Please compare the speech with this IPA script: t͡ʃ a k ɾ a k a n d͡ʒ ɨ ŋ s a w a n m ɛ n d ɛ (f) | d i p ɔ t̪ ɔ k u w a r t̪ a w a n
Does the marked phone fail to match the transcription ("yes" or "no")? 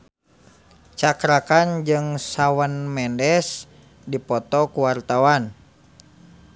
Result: yes